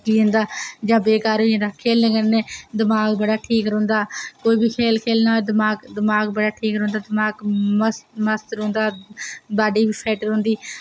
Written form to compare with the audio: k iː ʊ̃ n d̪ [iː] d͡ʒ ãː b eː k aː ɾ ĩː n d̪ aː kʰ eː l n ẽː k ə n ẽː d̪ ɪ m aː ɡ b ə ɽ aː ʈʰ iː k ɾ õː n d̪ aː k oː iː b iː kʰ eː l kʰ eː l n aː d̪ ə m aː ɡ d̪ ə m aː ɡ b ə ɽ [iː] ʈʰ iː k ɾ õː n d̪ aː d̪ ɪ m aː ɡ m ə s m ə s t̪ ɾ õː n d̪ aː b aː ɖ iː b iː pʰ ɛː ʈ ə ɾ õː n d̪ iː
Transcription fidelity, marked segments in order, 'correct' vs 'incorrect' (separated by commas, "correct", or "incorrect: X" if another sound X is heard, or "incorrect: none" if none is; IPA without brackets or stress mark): incorrect: aː, incorrect: aː